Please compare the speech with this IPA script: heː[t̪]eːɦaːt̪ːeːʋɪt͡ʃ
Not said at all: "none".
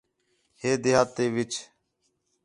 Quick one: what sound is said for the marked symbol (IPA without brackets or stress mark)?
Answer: d̪